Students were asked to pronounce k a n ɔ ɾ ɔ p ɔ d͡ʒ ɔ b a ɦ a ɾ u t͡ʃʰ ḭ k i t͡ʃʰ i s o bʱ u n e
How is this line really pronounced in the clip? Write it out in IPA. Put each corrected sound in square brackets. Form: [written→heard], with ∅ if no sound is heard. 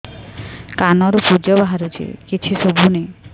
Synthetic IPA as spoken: k a n ɔ ɾ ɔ p [ɔ→u] d͡ʒ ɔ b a ɦ a ɾ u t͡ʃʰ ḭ k i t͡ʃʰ i s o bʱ u n e